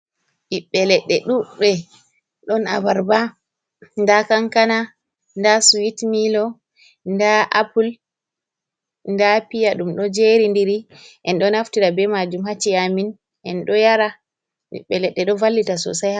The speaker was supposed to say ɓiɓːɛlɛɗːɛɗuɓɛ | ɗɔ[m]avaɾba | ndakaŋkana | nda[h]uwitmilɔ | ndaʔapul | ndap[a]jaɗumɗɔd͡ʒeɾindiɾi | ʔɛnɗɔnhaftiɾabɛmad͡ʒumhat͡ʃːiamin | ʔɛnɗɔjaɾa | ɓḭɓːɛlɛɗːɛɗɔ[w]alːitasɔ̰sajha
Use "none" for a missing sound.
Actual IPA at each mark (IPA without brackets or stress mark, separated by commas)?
n, s, i, v